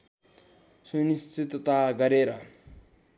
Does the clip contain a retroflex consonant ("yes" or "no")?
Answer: no